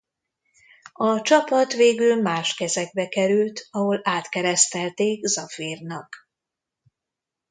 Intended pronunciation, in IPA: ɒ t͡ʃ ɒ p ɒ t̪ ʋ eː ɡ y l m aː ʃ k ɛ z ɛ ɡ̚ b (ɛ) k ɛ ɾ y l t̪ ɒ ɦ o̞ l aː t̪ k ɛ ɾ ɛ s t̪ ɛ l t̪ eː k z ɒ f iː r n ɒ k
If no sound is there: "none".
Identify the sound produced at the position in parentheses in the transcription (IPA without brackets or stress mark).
ɛ